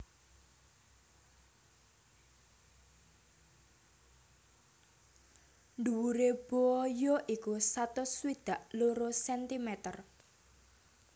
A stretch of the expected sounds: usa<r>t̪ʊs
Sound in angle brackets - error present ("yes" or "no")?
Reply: yes